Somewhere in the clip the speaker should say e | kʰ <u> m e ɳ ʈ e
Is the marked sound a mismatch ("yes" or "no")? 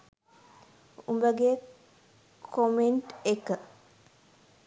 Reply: yes